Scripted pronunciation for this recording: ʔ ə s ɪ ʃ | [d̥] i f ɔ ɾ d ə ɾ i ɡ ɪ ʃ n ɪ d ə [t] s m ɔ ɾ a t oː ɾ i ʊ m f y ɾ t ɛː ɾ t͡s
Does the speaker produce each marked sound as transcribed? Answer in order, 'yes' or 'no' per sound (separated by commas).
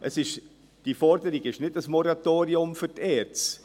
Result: yes, no